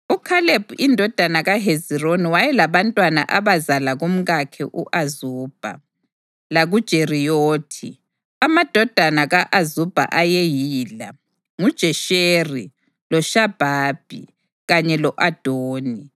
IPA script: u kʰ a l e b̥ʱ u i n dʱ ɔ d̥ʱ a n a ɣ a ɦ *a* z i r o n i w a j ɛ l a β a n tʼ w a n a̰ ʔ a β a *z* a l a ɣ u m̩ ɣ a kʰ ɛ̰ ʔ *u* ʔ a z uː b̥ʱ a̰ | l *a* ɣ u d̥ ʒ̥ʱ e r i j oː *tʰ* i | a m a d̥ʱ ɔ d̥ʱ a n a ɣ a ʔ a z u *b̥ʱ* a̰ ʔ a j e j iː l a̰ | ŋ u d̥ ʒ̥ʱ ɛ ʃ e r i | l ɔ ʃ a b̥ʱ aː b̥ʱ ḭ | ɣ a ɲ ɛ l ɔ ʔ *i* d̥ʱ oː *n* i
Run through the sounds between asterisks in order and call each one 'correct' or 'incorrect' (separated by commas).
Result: incorrect, correct, correct, correct, correct, correct, incorrect, correct